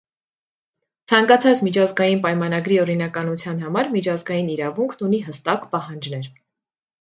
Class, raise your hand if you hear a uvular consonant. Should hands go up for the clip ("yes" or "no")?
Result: no